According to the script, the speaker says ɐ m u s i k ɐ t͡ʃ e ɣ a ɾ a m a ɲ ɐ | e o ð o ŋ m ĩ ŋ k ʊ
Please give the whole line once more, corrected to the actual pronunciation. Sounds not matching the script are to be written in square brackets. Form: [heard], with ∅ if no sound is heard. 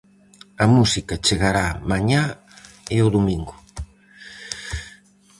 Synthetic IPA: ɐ m u s i k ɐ t͡ʃ e ɣ a ɾ a m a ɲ [a] | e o ð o [∅] m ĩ ŋ [ɡ] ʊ